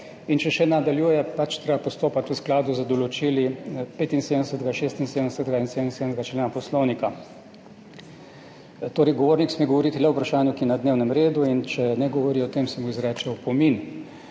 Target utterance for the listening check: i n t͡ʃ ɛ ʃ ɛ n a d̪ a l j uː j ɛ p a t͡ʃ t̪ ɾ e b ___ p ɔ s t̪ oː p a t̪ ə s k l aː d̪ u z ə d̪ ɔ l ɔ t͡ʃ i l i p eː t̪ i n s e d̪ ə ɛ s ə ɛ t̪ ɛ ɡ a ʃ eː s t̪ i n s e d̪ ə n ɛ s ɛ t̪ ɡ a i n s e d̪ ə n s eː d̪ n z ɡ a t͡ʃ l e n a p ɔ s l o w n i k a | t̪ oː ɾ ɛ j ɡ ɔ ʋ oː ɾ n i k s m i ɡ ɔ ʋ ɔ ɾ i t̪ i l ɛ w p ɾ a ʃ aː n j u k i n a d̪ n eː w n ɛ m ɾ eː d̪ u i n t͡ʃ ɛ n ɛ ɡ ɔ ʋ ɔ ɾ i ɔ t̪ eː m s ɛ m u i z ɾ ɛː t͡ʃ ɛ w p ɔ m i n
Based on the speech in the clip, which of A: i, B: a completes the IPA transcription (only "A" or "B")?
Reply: B